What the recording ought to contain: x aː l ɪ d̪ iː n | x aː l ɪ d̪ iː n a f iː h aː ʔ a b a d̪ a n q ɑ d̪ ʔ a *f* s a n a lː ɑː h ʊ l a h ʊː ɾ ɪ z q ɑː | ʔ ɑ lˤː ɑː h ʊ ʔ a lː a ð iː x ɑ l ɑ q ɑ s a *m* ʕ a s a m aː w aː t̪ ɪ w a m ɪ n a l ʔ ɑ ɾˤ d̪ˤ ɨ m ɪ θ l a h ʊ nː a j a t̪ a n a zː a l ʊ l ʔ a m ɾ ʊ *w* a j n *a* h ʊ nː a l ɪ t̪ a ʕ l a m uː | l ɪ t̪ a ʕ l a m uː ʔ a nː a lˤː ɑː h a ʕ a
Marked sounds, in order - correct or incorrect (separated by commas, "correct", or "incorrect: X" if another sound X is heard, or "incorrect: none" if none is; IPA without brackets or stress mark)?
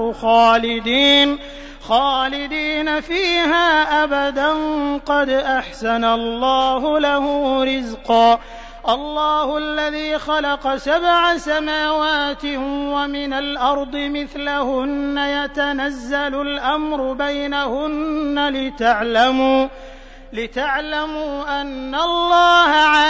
incorrect: ħ, incorrect: b, incorrect: b, correct